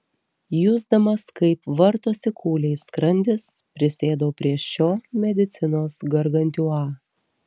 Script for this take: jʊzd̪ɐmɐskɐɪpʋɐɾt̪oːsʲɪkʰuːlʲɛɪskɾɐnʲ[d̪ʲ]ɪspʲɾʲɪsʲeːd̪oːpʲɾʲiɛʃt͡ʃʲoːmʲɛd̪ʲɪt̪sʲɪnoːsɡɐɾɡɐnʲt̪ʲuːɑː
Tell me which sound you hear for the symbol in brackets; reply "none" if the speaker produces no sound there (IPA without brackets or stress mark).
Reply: d̪ʲ